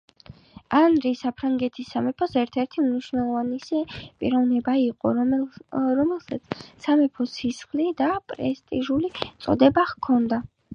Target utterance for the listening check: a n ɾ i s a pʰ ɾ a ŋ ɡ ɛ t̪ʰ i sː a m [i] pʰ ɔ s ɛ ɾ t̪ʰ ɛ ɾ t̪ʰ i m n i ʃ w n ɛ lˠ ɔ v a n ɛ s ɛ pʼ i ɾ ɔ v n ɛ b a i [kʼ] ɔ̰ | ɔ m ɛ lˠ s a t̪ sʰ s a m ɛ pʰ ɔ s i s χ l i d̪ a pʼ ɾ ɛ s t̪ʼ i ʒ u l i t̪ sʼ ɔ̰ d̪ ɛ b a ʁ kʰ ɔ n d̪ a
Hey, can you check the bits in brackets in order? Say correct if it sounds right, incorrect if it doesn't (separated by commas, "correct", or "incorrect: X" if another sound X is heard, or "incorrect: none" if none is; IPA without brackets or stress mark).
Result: incorrect: ɛ, incorrect: qʼ